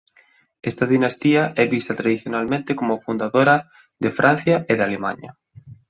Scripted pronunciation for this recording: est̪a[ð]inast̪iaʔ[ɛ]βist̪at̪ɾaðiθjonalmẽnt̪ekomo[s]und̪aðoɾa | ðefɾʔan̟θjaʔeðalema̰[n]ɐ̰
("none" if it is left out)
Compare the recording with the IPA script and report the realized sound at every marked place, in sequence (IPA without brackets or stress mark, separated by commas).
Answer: ð, ɛ, f, ɲ